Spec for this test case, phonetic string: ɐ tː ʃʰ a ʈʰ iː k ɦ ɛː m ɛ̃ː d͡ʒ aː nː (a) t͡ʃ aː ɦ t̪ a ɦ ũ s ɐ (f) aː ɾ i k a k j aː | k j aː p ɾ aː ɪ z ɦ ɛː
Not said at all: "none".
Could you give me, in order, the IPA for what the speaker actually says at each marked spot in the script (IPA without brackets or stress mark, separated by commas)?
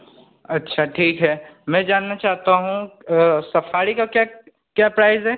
a, f